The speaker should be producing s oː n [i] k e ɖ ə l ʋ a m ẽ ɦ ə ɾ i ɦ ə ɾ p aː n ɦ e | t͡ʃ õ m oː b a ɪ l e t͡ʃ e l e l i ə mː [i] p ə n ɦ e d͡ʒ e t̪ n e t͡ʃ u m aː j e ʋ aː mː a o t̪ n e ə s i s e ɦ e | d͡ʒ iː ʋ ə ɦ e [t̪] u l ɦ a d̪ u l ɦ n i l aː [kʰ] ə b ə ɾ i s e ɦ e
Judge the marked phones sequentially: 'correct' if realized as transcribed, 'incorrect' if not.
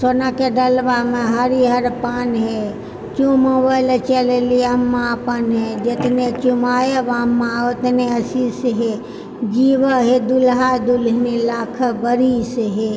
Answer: incorrect: a, incorrect: a, incorrect: d̪, correct

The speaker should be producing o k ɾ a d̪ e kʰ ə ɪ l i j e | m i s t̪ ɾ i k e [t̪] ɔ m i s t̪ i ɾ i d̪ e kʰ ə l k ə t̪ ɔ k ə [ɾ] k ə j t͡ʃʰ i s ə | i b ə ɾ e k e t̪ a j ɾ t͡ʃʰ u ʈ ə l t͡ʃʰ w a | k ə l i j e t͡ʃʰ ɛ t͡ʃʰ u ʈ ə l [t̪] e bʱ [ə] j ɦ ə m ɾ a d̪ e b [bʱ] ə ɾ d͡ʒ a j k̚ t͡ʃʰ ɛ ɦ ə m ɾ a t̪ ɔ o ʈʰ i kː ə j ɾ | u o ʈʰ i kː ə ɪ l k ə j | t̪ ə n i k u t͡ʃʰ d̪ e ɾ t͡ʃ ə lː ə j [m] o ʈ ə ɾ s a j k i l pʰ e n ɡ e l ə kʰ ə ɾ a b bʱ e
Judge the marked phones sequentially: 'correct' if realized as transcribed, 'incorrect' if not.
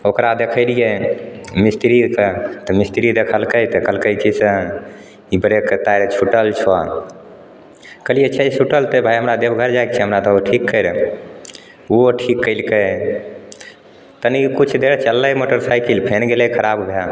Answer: correct, incorrect: l, correct, incorrect: a, incorrect: ɡʱ, correct

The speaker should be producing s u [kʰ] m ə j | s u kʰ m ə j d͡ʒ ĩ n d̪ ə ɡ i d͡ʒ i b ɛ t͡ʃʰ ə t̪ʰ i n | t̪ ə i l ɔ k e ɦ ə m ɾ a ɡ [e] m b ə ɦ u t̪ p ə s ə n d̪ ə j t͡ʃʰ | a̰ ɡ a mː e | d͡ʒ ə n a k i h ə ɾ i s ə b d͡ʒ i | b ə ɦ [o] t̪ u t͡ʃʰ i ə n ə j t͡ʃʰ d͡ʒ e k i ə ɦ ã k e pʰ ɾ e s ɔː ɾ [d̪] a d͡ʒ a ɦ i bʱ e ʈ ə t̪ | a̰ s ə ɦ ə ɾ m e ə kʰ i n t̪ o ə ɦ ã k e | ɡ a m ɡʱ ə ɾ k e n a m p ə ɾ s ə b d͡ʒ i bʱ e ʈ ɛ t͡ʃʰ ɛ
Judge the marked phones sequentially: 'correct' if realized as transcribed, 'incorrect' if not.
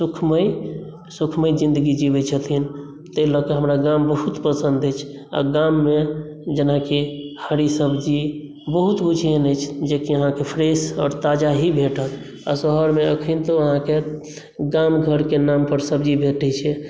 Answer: correct, incorrect: a, incorrect: u, incorrect: t̪

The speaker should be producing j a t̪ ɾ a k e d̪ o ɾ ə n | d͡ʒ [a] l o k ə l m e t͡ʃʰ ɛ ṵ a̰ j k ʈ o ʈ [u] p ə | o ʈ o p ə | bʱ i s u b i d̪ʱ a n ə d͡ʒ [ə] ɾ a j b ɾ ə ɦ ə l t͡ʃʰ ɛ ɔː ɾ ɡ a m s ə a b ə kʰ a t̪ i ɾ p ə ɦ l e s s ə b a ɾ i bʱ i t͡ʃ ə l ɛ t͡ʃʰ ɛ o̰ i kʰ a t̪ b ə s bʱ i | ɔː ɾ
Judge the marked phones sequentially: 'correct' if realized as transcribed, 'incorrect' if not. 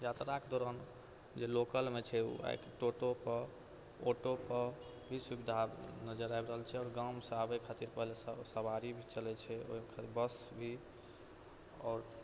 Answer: incorrect: e, incorrect: o, correct

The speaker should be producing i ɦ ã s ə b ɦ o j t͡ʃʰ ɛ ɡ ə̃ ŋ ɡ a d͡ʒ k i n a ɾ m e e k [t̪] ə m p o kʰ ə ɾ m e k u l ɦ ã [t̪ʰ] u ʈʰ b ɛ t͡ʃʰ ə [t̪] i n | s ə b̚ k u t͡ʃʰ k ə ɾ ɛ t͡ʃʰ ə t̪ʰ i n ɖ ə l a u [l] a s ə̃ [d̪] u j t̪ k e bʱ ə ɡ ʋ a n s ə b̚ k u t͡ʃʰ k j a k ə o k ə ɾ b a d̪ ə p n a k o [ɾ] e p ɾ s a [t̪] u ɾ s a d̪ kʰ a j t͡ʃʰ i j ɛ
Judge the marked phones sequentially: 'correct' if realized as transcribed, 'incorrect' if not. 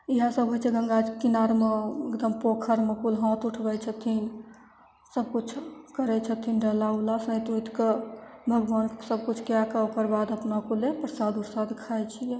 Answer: incorrect: d̪, incorrect: t̪, incorrect: t̪ʰ, correct, incorrect: t̪, incorrect: l, incorrect: d̪

